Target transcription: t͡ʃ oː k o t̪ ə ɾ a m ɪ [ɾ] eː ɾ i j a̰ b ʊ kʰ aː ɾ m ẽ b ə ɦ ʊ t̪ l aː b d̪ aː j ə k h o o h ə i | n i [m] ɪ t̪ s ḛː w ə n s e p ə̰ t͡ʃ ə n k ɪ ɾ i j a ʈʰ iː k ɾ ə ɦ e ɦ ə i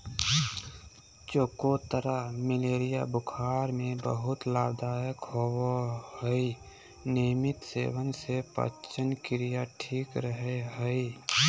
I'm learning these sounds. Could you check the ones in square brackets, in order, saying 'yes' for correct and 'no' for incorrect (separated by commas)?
no, yes